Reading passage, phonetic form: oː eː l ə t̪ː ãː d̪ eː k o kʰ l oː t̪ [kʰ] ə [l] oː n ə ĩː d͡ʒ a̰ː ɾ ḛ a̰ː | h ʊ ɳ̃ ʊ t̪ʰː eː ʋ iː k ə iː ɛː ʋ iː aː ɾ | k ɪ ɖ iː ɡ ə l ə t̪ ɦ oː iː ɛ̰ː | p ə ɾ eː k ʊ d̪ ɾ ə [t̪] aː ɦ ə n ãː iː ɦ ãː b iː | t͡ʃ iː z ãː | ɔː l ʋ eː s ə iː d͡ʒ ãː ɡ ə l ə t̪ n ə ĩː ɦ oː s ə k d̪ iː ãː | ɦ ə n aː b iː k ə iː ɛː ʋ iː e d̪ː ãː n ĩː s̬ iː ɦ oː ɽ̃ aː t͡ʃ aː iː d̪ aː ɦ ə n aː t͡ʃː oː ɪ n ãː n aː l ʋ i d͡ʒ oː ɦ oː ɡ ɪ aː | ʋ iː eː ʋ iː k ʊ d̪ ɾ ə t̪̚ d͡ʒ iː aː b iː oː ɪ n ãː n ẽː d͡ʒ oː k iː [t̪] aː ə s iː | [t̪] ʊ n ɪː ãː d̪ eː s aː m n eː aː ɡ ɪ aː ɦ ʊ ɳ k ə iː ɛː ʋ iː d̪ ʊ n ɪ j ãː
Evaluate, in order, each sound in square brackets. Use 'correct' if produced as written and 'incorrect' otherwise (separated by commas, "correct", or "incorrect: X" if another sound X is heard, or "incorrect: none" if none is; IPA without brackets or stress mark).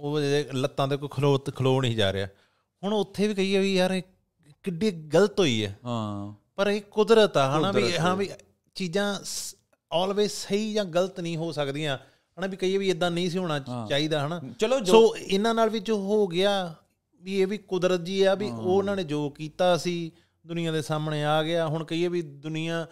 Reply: correct, correct, correct, correct, incorrect: d̪